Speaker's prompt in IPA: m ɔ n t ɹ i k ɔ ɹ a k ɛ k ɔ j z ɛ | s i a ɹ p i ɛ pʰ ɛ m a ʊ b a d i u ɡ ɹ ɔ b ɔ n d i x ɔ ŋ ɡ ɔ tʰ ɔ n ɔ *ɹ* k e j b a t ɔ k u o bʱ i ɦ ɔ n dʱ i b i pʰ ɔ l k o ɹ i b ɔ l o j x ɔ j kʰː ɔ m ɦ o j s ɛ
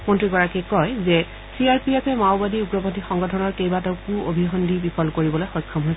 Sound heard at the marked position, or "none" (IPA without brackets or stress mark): ɹ